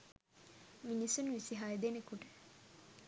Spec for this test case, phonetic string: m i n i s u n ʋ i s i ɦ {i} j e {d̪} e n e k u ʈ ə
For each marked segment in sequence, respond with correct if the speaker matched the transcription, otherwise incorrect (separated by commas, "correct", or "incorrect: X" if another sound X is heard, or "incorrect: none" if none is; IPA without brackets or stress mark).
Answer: incorrect: a, correct